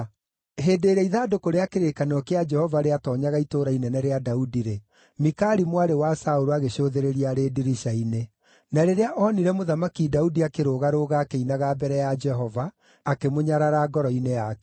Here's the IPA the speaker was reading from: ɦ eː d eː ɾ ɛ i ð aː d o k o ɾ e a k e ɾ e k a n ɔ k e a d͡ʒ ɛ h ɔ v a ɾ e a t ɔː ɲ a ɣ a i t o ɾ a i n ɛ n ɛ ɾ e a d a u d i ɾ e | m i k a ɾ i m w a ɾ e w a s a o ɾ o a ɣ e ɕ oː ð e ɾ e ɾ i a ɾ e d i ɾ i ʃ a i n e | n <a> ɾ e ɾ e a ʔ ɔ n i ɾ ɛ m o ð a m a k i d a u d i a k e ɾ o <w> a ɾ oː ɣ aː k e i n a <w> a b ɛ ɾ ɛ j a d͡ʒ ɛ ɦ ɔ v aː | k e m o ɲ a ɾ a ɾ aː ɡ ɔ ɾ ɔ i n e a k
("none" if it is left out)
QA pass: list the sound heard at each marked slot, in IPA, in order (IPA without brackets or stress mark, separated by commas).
a, ɣ, ɣ